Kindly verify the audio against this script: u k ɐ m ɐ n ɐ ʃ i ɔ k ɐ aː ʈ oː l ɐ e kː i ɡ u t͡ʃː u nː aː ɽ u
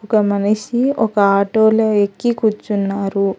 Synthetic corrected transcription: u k ɐ m ɐ n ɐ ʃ i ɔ k ɐ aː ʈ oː l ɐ e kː i k u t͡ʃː u nː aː ɾ u